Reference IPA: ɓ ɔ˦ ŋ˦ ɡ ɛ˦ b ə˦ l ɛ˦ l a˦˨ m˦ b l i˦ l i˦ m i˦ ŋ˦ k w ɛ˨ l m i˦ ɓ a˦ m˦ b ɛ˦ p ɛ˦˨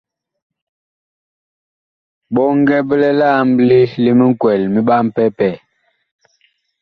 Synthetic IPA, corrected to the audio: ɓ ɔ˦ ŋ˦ ɡ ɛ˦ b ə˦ l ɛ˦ l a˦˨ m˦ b l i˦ l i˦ m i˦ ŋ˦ k w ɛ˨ l m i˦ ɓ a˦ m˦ p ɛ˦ p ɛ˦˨